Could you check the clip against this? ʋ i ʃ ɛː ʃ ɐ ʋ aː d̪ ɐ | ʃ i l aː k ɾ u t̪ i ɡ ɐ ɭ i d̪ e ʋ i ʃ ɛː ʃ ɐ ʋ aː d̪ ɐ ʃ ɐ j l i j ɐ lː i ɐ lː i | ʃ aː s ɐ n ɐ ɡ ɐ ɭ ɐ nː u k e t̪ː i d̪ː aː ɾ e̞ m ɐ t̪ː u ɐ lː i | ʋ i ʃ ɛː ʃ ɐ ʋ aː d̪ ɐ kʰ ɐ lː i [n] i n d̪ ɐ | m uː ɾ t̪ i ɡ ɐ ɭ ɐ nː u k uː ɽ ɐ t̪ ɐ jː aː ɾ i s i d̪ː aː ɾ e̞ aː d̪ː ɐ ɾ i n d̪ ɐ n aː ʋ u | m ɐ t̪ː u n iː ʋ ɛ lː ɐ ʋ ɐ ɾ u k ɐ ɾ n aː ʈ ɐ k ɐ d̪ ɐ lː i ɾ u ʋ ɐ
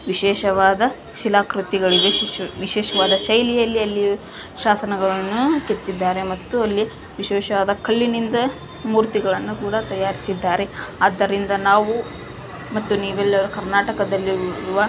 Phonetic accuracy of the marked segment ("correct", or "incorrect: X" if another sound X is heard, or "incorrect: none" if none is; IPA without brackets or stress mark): correct